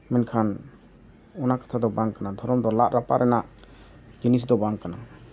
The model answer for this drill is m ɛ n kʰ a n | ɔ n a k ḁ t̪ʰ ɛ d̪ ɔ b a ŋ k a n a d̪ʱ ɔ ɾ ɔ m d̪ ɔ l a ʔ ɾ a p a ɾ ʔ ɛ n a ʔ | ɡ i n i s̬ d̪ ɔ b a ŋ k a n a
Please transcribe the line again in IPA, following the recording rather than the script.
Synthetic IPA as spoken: m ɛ n kʰ a n | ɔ n a k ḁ t̪ʰ a d̪ ɔ b a ŋ k a n a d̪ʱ ɔ ɾ ɔ m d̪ ɔ l a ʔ ɾ a p a ɾ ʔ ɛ n a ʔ | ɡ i n i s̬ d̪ ɔ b a ŋ k a n a